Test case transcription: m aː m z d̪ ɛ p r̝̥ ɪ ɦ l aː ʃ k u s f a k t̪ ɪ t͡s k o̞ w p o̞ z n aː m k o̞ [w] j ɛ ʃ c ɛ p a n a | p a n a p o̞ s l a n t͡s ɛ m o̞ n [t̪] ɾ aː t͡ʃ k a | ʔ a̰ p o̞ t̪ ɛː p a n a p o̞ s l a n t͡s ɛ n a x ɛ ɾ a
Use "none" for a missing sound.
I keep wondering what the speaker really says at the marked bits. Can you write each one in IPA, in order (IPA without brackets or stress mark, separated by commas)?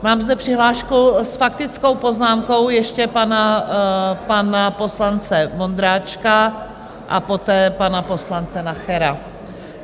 w, d̪